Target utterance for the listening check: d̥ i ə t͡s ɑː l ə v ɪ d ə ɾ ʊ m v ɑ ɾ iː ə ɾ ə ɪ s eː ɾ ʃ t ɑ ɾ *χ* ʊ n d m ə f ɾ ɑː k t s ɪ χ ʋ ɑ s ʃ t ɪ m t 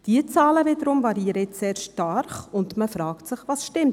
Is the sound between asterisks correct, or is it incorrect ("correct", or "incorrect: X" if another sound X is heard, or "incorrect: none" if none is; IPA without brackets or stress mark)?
correct